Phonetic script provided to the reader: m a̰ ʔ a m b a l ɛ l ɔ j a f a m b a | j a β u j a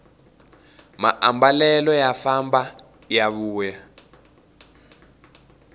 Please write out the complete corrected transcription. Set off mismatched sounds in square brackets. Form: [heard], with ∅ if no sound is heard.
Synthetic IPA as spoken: m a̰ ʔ a m b a l ɛ l ɔ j a f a m b a | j a β [uː] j a